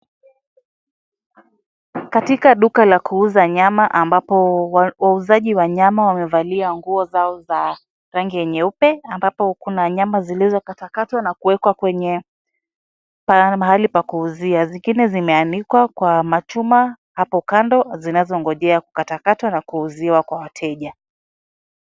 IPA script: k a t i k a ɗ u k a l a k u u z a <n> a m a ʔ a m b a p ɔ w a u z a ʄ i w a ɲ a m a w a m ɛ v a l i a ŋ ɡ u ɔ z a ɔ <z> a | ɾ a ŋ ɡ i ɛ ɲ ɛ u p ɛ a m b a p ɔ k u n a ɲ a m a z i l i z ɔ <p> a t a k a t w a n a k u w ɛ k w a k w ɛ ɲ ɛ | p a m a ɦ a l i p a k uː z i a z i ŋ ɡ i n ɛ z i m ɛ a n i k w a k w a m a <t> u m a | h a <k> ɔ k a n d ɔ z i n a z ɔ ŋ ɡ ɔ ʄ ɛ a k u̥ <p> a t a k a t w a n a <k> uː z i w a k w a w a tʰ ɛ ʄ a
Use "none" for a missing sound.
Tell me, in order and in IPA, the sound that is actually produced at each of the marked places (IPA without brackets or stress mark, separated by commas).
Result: ɲ, z, k, t͡ʃ, p, k, k